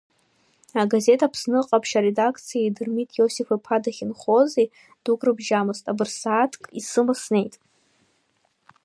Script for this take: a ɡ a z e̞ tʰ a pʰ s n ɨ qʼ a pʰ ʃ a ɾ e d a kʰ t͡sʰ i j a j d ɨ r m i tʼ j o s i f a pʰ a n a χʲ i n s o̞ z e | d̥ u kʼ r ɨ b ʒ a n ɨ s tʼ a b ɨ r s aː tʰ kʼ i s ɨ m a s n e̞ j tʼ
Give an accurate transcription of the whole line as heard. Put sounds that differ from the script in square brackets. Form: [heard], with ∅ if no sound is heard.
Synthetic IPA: a ɡ a z e̞ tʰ a pʰ s n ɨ qʼ a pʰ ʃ a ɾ e d a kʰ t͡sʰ i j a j d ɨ r m i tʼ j o s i f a pʰ a [d] a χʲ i n [χ] o̞ z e | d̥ u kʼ r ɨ b ʒ a [m] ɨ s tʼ a b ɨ r s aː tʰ kʼ i s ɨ m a s n e̞ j tʼ